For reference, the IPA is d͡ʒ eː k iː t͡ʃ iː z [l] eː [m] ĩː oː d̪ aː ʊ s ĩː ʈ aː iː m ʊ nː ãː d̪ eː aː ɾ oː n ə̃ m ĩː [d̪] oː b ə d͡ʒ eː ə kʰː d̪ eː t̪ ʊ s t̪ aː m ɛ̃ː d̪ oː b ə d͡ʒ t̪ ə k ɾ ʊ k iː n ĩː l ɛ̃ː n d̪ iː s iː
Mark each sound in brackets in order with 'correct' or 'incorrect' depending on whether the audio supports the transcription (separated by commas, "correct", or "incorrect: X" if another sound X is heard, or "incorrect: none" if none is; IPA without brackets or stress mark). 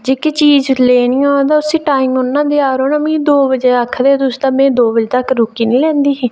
correct, incorrect: n, correct